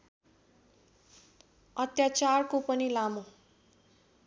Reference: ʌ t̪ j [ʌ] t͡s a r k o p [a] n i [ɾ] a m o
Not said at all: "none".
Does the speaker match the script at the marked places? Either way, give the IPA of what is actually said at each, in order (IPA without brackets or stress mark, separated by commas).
a, ʌ, l